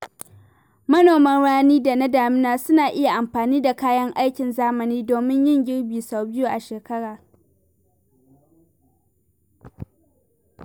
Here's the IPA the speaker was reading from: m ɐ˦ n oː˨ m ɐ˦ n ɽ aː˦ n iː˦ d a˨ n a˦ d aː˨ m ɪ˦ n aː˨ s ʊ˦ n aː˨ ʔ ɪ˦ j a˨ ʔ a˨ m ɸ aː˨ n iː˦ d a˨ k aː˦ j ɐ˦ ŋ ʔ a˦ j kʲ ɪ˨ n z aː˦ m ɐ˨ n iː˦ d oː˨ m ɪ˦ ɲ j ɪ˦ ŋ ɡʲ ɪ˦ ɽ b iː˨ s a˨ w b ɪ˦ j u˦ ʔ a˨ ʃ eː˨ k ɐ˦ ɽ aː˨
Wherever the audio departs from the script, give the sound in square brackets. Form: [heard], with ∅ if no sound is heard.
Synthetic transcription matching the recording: m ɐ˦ n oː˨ m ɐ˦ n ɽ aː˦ n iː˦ d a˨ n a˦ d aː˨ m ɪ˦ n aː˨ s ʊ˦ n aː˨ ʔ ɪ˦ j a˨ ʔ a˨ m ɸ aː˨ n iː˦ d a˨ k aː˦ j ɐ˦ ŋ ʔ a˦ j kʲ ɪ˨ n z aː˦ m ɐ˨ n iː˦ d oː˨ m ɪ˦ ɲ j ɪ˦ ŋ ɡʲ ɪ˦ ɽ b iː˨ s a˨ w b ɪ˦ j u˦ ʔ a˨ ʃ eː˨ k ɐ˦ ɽ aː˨